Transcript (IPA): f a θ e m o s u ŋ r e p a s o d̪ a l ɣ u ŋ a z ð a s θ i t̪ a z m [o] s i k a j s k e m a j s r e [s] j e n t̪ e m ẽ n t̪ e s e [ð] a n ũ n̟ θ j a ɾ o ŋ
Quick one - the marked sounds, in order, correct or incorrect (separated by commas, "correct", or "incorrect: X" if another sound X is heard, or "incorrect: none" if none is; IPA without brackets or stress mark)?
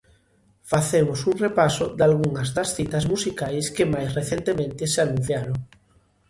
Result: incorrect: u, incorrect: θ, incorrect: none